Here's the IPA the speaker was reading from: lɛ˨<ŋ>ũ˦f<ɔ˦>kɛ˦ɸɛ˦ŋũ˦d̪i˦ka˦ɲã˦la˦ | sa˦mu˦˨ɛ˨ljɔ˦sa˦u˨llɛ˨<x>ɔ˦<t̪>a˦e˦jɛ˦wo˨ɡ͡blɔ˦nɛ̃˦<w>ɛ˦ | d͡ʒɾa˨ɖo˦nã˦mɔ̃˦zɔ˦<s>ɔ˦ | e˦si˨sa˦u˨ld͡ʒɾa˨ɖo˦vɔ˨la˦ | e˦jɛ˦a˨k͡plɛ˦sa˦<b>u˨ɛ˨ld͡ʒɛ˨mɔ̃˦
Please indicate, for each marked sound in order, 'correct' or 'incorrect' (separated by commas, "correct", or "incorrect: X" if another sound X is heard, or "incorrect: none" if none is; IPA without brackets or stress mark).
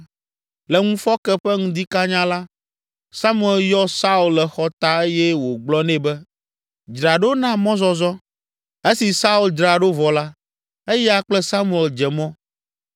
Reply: correct, correct, correct, correct, incorrect: b, incorrect: z, incorrect: m